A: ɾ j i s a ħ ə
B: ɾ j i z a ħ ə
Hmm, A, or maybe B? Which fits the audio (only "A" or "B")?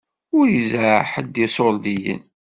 B